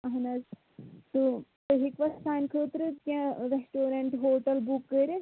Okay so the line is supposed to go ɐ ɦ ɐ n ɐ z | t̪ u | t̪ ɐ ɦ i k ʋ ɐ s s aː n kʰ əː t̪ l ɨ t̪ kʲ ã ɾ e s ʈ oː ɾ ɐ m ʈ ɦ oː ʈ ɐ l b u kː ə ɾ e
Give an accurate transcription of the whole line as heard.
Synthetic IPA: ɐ ɦ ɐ n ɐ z | t̪ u | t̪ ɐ ɦ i k ʋ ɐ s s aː n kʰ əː t̪ ɾ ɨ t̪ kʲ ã ɾ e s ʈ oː ɾ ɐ ɳ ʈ ɦ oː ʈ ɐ l b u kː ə ɾ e